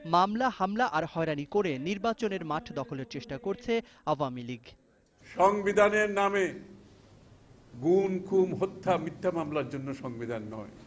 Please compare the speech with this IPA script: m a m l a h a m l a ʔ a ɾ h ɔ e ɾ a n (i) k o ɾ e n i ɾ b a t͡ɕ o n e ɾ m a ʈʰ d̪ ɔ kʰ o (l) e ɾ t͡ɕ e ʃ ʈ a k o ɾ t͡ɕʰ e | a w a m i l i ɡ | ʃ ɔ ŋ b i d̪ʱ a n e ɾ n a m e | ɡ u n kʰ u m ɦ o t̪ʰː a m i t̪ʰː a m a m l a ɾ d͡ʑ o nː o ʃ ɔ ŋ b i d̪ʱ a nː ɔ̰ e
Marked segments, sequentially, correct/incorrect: correct, correct

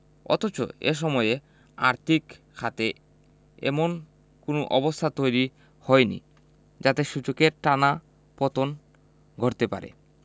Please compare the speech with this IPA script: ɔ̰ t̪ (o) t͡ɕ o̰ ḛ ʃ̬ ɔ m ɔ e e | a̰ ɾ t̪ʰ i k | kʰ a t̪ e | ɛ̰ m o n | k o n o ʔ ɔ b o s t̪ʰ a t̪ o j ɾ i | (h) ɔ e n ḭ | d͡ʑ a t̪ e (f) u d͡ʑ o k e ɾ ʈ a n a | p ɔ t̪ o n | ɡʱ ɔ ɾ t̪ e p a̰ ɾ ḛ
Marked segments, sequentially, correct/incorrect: correct, correct, incorrect

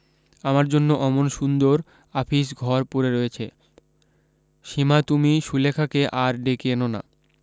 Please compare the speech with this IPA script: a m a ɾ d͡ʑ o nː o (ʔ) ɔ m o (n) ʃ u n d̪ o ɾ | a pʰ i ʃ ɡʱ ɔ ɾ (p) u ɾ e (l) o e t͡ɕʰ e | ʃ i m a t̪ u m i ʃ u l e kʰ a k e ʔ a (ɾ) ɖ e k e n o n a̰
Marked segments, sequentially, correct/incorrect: correct, correct, correct, incorrect, correct

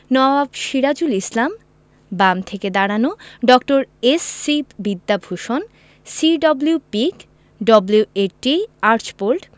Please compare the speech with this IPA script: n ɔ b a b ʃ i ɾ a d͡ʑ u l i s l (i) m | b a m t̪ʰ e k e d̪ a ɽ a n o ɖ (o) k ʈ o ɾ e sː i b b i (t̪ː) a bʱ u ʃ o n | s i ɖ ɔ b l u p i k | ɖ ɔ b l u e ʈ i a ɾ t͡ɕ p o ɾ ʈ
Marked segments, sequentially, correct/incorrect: incorrect, incorrect, incorrect

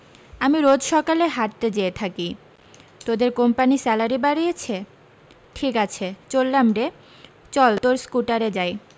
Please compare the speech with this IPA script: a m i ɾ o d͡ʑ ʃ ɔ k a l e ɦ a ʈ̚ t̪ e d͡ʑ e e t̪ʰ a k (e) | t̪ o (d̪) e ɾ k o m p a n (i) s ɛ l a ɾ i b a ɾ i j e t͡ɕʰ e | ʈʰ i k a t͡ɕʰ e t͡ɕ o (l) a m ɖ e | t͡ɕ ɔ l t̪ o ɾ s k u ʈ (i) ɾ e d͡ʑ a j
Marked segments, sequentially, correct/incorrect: incorrect, correct, correct, incorrect, incorrect

